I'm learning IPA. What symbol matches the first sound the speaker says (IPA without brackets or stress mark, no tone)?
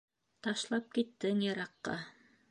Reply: t̪